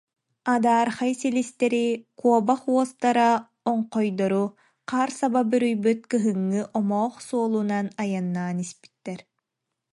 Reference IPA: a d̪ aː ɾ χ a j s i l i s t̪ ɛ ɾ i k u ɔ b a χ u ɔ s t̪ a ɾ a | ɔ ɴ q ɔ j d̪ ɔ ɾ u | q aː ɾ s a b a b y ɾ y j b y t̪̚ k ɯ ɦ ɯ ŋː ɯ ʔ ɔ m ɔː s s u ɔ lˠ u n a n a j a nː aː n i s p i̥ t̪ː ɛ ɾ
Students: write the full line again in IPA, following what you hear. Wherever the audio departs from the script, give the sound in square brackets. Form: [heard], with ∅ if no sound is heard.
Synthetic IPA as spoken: a d̪ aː ɾ χ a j s i l i s t̪ ɛ ɾ i k u ɔ b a χ u ɔ s t̪ a ɾ a | ɔ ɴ q ɔ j d̪ ɔ ɾ u | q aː ɾ s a b a b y ɾ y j b y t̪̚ k ɯ ɦ ɯ ŋː ɯ ʔ ɔ m ɔː [χ] s u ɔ lˠ u n a n a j a nː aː n i s p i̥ t̪ː ɛ ɾ